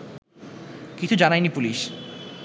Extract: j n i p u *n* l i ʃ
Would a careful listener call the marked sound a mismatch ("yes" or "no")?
yes